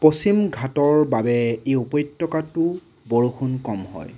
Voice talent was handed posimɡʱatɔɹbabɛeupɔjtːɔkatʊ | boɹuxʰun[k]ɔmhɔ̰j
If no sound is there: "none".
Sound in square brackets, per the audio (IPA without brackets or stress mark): k